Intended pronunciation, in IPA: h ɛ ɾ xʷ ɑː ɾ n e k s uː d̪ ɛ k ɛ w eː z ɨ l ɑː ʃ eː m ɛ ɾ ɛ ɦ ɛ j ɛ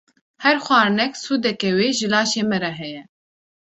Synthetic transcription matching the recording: h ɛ ɾ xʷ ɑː ɾ n ɛ k s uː d̪ ɛ k ɛ w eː ʒ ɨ l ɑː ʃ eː m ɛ ɾ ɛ ɦ ɛ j ɛ